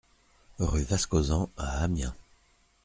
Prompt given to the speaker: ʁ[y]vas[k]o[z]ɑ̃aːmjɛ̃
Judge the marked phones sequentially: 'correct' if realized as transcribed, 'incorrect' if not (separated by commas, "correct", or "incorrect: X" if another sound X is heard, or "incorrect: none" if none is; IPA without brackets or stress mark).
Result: correct, correct, correct